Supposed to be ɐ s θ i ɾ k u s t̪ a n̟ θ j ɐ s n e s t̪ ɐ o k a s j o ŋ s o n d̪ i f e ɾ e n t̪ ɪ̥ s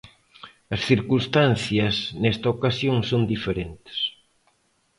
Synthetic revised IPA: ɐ s θ i ɾ k u s t̪ a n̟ θ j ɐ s n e s t̪ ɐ o k a s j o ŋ s o n d̪ i f e ɾ e n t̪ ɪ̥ s